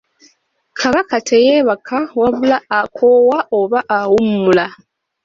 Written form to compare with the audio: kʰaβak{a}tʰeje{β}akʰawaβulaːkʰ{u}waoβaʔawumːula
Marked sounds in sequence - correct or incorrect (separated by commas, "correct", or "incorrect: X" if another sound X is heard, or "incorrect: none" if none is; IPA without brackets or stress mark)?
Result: correct, correct, incorrect: o